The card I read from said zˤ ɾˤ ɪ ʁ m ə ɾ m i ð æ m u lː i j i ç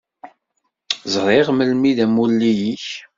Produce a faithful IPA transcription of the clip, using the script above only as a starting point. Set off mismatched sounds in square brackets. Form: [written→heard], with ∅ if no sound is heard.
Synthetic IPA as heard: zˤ ɾˤ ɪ ʁ m ə [ɾ→l] m i ð æ m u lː i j i ç